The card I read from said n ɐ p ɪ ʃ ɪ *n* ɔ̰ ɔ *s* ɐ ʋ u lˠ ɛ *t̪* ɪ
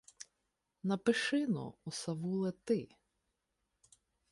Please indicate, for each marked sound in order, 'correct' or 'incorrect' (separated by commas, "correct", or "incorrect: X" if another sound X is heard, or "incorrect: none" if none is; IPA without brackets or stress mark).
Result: correct, correct, correct